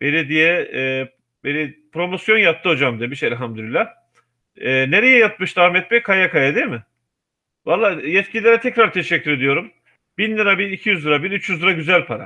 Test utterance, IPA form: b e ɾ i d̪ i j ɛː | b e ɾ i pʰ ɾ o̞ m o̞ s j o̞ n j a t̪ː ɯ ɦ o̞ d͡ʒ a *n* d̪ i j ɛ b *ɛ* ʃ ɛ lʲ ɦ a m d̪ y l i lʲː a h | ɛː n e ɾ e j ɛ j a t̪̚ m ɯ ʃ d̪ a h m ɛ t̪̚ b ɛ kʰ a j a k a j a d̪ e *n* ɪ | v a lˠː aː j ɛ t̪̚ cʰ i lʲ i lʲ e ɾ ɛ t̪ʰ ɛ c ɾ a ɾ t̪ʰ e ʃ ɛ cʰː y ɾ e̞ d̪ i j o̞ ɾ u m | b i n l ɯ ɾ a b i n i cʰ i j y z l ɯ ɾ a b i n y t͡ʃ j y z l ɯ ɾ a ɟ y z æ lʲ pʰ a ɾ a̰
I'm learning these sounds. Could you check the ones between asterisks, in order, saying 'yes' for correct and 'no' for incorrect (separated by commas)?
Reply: no, no, no